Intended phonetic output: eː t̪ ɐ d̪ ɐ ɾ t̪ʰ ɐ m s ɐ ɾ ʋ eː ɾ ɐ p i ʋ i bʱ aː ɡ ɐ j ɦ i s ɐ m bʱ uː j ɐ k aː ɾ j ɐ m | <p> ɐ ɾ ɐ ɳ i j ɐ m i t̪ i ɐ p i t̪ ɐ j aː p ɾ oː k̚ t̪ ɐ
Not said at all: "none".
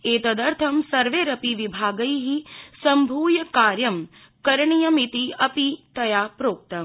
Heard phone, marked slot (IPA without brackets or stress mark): k